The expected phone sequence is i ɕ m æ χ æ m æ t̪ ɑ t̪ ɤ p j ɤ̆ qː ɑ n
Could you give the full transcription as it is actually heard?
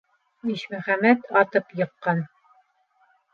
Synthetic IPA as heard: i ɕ m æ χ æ m æ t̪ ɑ t̪ ɤ p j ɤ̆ qː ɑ n